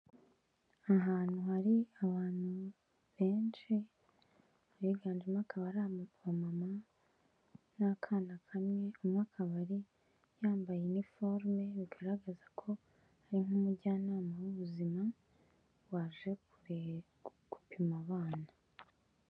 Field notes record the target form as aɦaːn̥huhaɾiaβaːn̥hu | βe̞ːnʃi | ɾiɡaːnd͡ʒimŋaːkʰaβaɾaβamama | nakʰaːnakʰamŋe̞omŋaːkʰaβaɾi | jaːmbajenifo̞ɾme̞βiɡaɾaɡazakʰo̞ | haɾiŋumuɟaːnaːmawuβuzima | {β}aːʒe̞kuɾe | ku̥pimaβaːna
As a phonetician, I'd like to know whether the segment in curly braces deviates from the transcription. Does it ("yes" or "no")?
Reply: yes